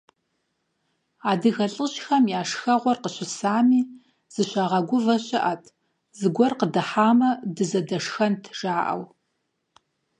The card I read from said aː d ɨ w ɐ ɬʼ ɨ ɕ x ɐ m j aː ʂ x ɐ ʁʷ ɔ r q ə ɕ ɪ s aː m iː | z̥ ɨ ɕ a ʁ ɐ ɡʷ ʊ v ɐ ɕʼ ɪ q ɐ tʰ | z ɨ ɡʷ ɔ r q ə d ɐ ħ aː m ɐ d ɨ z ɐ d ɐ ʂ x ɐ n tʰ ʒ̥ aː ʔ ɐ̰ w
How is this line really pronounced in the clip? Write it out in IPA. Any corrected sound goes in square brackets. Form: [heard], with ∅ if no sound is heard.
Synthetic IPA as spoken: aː d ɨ [ɣ] ɐ ɬʼ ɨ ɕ x ɐ m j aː ʂ x ɐ ʁʷ ɔ r q ə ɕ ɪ s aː m iː | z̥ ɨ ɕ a ʁ ɐ ɡʷ ʊ v ɐ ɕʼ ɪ [ʔ] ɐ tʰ | z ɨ ɡʷ ɔ r q ə d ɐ ħ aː m ɐ d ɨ z ɐ d ɐ ʂ x ɐ n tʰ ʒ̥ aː ʔ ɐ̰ w